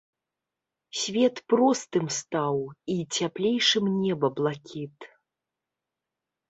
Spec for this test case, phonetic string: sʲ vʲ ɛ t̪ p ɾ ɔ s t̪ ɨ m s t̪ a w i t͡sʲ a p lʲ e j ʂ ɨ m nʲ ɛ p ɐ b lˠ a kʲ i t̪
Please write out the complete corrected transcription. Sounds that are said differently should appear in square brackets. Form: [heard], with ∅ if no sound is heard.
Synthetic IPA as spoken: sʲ vʲ ɛ t̪ p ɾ ɔ s t̪ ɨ m s t̪ a w i t͡sʲ a p lʲ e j ʂ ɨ m nʲ ɛ [b] ɐ b lˠ a kʲ i t̪